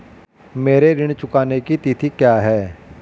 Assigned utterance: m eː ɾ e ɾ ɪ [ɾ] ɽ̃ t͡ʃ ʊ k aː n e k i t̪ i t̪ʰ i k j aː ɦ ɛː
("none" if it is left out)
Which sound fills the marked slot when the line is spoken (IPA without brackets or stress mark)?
none